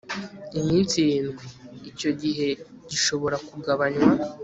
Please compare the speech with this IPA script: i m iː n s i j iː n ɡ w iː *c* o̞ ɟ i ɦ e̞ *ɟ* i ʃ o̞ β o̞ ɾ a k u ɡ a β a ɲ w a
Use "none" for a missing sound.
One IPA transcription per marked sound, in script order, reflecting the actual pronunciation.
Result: c, ɟ

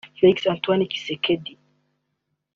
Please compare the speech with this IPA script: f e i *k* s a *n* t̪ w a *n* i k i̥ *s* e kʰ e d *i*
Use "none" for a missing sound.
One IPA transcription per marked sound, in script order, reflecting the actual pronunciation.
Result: k, n, n, s, i

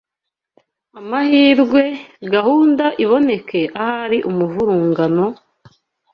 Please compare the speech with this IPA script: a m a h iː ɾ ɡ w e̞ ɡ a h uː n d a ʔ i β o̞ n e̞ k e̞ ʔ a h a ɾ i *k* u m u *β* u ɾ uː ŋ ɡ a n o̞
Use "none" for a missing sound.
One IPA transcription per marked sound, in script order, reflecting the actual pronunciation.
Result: ʔ, v

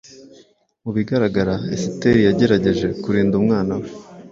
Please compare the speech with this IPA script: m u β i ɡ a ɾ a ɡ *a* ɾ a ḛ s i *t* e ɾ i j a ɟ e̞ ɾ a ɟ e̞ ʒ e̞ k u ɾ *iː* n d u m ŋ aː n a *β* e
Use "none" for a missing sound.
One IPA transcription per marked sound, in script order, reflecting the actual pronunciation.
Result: a, t, iː, w

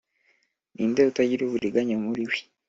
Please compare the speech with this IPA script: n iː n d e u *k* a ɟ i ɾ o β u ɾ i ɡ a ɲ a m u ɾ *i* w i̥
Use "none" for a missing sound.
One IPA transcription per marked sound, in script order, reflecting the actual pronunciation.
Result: t, i

